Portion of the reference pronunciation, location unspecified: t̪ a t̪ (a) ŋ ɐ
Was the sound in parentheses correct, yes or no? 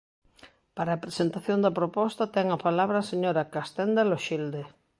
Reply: no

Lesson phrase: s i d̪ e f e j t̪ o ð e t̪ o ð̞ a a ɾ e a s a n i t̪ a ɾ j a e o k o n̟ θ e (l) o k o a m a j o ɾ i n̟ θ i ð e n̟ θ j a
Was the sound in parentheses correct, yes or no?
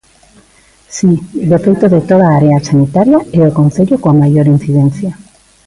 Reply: no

